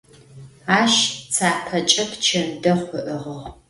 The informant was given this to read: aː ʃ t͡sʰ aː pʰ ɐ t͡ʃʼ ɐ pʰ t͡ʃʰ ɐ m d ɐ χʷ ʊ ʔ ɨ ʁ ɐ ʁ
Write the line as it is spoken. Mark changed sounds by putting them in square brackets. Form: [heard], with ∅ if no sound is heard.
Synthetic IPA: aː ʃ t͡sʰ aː pʰ ɐ t͡ʃʼ ɐ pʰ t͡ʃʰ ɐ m d ɐ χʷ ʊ ʔ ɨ ʁ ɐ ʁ